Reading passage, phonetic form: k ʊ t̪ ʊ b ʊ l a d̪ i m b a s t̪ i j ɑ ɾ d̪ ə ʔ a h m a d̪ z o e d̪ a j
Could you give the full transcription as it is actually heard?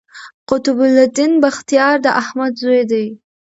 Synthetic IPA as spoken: q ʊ t̪ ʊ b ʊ l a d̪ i n b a x t̪ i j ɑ ɾ d̪ ə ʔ a h m a d̪ z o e d̪ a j